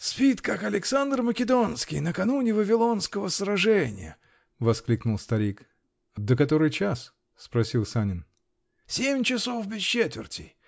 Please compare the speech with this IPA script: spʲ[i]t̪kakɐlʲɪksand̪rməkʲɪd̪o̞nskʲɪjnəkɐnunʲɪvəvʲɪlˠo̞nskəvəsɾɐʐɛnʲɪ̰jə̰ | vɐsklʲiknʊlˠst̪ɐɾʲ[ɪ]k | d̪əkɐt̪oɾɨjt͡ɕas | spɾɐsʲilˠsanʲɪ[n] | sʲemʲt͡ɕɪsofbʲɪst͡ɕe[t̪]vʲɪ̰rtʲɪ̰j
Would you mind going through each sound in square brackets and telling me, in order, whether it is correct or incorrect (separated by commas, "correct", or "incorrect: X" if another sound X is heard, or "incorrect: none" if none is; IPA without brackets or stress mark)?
correct, incorrect: i, correct, correct